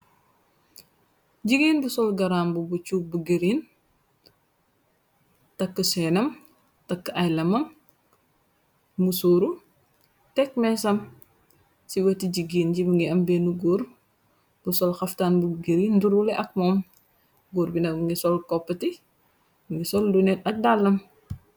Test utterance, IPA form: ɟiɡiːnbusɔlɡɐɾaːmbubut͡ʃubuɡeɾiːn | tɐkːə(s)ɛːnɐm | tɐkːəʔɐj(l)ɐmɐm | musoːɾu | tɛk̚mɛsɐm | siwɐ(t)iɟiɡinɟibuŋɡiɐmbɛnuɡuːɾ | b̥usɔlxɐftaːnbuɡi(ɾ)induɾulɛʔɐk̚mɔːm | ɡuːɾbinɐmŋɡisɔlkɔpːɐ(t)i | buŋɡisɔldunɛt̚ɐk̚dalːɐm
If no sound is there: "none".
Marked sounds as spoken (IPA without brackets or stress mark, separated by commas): s, l, t, ɾ, t